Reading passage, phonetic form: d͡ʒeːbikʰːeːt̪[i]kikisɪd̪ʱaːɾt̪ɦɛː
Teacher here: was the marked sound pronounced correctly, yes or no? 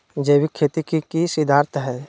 yes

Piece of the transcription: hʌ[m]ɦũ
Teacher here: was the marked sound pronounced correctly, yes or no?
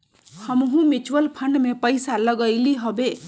yes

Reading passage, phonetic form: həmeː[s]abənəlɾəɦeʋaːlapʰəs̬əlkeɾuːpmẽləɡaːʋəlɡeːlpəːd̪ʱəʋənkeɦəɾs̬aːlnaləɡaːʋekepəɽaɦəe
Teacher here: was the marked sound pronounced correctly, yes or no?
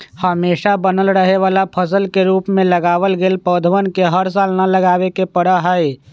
no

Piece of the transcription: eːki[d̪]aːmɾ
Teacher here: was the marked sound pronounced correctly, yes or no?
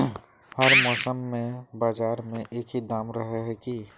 yes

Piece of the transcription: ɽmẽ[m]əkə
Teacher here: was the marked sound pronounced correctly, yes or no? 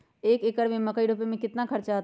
yes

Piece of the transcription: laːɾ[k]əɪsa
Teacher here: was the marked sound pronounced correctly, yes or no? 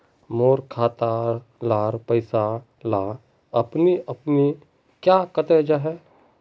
no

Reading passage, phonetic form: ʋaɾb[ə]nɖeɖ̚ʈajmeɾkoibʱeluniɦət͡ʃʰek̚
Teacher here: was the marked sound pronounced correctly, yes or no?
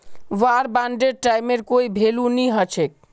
no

